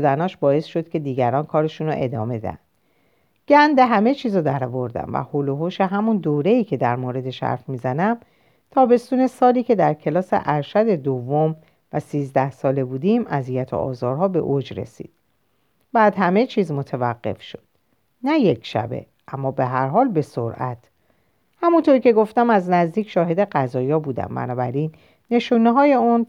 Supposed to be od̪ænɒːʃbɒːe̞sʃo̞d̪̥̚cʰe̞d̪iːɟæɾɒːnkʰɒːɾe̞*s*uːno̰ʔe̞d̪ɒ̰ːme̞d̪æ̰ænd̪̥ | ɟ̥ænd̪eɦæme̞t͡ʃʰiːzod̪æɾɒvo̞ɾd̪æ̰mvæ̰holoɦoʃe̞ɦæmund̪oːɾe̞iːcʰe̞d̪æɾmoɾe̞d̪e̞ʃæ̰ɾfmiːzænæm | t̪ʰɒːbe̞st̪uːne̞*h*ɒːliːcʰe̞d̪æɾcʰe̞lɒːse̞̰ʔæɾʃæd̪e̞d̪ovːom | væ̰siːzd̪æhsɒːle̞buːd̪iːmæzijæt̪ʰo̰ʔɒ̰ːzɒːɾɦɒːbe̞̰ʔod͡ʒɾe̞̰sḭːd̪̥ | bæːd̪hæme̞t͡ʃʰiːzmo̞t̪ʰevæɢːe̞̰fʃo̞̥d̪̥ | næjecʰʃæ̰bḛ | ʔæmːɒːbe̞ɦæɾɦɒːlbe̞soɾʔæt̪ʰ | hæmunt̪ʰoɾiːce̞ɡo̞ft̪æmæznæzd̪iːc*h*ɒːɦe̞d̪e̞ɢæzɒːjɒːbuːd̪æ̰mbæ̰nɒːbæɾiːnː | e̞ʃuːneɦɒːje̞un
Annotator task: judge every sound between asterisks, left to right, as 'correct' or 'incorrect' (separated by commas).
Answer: incorrect, incorrect, incorrect